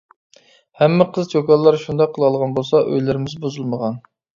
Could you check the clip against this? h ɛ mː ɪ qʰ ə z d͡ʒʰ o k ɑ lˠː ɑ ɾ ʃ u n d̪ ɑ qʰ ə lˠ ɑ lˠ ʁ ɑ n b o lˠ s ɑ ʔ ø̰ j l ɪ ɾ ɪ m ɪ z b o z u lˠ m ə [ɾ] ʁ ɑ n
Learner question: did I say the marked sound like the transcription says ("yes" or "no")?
no